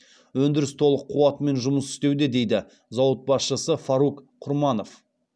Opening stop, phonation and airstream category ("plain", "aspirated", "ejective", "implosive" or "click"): plain